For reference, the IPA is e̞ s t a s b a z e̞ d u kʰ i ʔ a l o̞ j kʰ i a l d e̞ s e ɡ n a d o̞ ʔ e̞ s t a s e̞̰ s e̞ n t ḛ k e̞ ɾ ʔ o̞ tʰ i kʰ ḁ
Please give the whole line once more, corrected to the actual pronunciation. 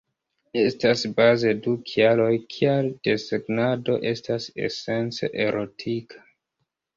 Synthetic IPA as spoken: e̞ s t a s b a z e̞ d u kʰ i a l o̞ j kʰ i a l d e̞ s e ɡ n a d o̞ ʔ e̞ s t a s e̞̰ s e̞ n t͡s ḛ ʔ e̞ ɾ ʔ o̞ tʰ i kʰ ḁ